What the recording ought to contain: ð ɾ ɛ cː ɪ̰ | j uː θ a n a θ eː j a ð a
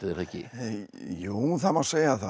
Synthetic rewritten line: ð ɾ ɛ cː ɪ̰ | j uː θ a m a s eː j a θ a